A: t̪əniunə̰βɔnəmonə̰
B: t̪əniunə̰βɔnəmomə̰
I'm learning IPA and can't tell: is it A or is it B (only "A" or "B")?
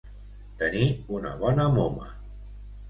B